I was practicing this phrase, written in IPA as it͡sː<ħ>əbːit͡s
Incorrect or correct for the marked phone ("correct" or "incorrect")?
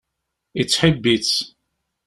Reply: correct